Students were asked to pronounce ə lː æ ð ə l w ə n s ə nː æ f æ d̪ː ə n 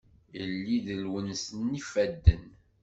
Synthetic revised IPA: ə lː i ð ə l w ə n s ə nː i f æ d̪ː ə n